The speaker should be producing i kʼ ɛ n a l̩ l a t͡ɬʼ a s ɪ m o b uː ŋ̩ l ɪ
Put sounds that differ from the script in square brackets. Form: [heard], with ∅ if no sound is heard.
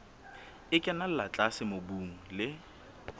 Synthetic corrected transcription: [ɪ] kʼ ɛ n a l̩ l a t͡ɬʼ a s ɪ m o b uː ŋ̩ l ɪ